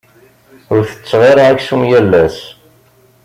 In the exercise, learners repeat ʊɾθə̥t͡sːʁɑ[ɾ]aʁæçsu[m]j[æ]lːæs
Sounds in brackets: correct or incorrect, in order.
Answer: correct, correct, correct

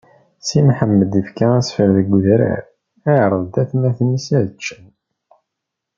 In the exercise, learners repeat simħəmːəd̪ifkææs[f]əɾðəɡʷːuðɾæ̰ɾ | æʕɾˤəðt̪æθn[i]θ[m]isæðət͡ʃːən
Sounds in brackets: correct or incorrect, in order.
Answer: correct, incorrect, incorrect

